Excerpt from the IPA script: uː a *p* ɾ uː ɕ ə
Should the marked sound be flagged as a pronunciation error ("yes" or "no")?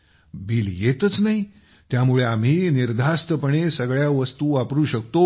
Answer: no